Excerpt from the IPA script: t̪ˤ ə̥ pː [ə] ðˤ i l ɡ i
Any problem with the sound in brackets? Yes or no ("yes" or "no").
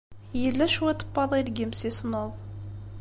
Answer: yes